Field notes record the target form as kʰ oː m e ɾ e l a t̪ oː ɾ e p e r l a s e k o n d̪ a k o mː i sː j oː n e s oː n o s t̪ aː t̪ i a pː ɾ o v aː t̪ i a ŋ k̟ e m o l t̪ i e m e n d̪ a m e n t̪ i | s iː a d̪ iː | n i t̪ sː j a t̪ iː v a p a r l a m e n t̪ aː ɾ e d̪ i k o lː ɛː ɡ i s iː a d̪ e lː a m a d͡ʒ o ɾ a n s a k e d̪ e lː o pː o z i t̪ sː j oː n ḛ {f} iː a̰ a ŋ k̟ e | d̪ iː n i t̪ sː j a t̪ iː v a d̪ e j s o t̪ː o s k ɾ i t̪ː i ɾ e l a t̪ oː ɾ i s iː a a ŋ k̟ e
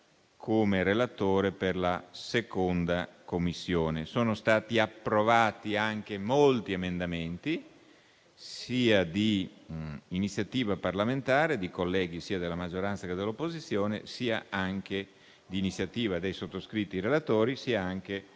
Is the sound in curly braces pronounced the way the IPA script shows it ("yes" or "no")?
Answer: no